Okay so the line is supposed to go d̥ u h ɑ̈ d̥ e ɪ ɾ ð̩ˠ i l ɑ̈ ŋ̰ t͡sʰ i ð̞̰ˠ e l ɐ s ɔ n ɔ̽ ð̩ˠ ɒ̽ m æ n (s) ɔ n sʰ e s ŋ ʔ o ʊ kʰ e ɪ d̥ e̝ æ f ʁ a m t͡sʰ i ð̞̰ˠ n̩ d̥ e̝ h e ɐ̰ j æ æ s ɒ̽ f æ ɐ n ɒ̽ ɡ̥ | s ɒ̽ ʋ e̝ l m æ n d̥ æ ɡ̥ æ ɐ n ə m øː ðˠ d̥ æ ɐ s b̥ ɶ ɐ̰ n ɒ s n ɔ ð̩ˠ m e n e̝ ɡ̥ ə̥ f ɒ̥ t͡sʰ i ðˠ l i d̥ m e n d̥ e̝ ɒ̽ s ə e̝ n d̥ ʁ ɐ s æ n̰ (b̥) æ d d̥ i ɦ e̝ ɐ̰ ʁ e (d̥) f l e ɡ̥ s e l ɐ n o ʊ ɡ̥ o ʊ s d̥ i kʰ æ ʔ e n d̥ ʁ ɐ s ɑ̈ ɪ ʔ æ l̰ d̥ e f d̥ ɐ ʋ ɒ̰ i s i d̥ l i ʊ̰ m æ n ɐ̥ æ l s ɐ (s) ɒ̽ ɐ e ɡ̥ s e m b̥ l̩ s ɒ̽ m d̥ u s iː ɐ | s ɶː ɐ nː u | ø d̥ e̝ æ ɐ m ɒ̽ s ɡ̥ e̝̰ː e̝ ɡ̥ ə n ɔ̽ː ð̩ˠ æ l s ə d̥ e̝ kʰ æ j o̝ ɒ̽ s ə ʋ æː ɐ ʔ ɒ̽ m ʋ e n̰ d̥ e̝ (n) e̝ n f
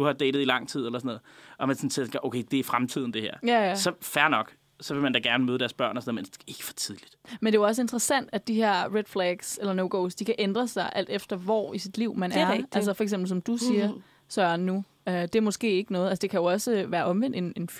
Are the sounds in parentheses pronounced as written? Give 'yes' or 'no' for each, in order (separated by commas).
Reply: yes, no, yes, no, yes